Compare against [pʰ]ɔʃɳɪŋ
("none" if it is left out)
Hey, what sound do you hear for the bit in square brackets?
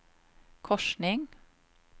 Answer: kʰ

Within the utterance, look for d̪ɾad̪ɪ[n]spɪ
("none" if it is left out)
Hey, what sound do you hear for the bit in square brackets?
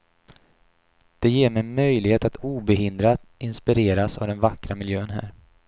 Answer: n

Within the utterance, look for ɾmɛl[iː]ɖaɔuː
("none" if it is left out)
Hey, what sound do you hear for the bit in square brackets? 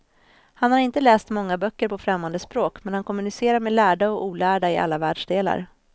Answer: æː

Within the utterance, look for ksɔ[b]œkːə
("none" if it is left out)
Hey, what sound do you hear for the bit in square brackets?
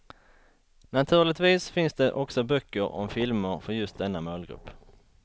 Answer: b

